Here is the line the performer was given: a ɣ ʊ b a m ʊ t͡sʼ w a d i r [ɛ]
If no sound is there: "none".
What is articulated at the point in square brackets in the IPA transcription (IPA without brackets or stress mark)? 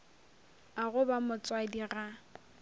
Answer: a